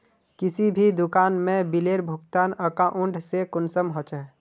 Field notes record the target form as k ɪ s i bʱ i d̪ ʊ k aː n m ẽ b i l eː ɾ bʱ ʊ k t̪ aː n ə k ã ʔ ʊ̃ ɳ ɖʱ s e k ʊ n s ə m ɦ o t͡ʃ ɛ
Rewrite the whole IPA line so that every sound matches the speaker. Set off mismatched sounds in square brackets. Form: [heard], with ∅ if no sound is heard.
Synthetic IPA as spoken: k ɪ s i bʱ i d̪ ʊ k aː n m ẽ b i l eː ɾ bʱ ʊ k t̪ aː n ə k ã ʔ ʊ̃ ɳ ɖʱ s e k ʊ n s ə m ɦ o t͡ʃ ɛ